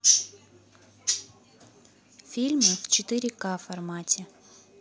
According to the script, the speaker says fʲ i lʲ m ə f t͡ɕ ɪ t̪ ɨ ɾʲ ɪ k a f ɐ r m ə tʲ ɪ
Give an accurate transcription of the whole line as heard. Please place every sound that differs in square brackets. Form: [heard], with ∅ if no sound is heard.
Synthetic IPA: fʲ i lʲ m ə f t͡ɕ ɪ t̪ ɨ ɾʲ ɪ k a f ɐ r m [a] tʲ ɪ